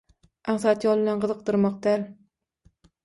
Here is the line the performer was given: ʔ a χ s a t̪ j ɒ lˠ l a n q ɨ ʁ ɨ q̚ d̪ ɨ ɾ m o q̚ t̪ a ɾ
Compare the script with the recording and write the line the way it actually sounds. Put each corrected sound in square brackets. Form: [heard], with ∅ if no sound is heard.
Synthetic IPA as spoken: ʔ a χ s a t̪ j ɒ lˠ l a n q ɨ [z] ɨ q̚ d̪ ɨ ɾ m [ɒ] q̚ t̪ a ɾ